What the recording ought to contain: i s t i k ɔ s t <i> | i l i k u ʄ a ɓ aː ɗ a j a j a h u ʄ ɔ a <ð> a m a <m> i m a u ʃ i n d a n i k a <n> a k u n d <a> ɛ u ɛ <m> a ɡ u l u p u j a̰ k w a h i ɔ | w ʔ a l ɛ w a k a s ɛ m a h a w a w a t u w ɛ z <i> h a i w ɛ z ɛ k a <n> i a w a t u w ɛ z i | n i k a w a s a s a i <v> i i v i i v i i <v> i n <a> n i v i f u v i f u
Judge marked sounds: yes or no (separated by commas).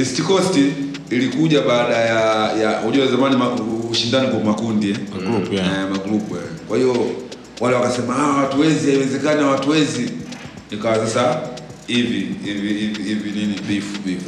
yes, no, no, no, no, yes, yes, yes, yes, yes, no